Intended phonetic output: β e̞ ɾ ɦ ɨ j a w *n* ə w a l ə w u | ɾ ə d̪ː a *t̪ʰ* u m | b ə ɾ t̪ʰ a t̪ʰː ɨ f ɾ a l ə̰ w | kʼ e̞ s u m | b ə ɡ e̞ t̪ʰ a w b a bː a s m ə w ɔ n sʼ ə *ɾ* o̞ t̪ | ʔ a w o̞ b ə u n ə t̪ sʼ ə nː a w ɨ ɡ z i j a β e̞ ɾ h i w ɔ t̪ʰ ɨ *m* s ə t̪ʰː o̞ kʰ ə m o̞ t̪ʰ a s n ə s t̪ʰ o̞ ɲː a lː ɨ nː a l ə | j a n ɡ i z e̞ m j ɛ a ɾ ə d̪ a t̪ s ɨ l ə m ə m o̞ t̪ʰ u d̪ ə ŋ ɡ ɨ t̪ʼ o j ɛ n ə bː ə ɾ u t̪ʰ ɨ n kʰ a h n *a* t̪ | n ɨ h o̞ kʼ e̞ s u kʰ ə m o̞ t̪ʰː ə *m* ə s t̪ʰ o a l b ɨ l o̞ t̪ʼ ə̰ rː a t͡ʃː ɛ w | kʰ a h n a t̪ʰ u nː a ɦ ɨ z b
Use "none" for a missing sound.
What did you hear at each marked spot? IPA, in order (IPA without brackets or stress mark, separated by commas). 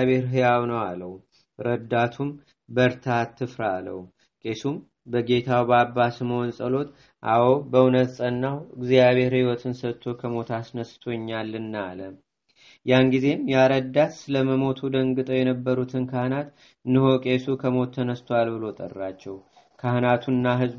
n, t̪ʰ, l, n, a, n